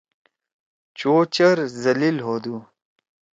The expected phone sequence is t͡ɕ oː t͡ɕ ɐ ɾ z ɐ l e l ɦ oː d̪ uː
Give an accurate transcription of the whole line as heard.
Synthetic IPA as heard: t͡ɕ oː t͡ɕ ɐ ɾ z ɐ l i l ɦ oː d̪ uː